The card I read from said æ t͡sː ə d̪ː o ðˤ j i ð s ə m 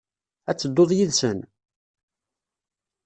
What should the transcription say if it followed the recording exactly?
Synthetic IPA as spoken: æ t͡sː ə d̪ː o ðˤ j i ð s ə n